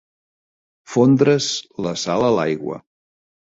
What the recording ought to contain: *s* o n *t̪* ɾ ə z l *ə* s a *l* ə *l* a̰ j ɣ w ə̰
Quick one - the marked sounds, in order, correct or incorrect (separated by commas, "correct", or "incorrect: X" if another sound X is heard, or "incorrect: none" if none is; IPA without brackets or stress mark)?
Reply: incorrect: f, incorrect: d̪, correct, correct, correct